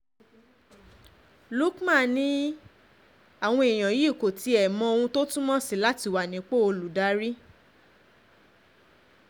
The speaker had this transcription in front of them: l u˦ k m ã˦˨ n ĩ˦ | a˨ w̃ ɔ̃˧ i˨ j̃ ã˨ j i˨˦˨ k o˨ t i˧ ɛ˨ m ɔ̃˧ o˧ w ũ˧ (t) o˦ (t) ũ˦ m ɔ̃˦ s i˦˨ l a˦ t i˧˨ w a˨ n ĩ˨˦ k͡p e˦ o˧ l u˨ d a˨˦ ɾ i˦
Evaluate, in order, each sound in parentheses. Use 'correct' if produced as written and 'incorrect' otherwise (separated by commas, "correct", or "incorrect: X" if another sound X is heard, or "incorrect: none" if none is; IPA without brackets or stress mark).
correct, correct